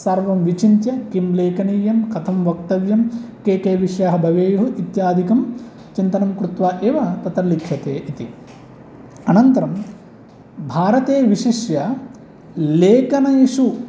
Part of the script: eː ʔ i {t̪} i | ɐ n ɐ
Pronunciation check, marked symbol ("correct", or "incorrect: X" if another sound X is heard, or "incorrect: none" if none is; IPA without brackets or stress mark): correct